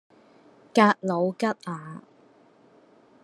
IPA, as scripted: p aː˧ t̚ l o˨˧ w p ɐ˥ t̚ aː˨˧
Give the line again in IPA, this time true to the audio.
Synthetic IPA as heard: k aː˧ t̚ l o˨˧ w k ɐ˥ t̚ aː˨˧